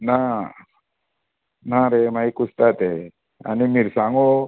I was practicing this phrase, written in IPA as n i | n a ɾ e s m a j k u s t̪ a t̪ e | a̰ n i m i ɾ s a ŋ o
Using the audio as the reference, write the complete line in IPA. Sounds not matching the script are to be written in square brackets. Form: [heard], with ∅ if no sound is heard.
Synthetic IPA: n [a] | n a ɾ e [∅] m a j k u s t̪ a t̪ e | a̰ n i m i ɾ s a ŋ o